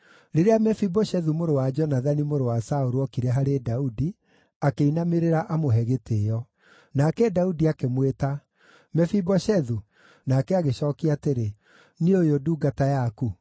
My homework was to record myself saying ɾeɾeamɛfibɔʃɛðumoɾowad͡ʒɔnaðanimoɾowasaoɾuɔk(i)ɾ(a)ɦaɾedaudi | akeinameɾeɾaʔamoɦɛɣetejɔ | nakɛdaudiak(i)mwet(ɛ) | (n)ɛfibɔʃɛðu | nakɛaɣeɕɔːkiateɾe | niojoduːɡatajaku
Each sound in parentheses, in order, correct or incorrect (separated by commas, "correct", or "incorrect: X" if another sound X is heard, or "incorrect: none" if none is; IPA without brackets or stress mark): correct, incorrect: ɛ, incorrect: e, incorrect: a, incorrect: m